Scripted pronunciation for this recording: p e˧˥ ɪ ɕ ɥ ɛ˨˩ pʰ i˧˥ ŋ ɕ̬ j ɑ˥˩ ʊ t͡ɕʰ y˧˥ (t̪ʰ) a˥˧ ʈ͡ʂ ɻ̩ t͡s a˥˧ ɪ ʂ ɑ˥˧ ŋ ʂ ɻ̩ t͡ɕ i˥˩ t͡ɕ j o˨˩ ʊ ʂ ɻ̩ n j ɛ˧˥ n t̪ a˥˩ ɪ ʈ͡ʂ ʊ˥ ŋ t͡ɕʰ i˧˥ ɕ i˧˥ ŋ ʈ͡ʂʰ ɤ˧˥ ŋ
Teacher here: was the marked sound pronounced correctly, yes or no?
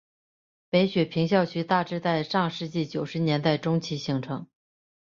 no